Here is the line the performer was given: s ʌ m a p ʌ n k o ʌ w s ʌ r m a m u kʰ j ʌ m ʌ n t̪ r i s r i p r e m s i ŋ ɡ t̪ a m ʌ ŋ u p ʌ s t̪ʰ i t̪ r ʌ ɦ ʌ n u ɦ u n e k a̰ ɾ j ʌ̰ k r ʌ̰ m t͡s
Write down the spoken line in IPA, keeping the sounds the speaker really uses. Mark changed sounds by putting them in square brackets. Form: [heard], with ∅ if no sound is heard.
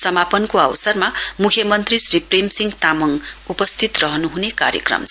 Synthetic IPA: s ʌ m a p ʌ n k o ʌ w s ʌ r m a m u kʰ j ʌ m ʌ n t̪ r i s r i p r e m s i ŋ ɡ t̪ a m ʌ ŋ u p ʌ s t̪ʰ i t̪ r ʌ ɦ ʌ n u ɦ u n e k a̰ ɾ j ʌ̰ k r ʌ̰ m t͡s